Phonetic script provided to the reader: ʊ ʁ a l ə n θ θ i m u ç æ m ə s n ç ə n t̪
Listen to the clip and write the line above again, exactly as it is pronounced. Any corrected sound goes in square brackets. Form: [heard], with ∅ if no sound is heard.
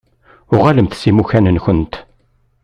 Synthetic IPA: ʊ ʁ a l ə [m] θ [s] i m u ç æ [n] ə [∅] n ç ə n t̪